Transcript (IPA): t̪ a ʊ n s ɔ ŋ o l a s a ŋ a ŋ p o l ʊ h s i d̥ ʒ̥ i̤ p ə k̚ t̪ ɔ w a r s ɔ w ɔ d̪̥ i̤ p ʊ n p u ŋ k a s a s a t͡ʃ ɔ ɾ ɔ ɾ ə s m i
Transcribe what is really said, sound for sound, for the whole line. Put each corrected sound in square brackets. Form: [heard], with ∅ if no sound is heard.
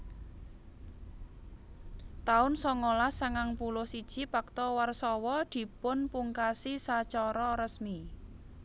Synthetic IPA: t̪ a ʊ n s ɔ ŋ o l a s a ŋ a ŋ p [u] l ʊ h s i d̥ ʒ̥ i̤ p [a] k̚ t̪ ɔ w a r s ɔ w ɔ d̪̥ i̤ p ʊ n p u ŋ k a s [i] s a t͡ʃ ɔ ɾ ɔ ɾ ə s m i